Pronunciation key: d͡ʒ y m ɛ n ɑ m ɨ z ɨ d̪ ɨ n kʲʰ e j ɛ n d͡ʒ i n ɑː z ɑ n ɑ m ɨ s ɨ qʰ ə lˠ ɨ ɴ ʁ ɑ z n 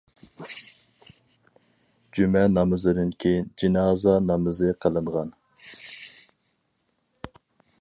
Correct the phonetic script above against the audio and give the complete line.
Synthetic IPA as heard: d͡ʒ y m ɛ n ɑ m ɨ z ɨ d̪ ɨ n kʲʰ e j i n d͡ʒ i n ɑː z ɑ n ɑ m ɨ z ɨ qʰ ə lˠ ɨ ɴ ʁ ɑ n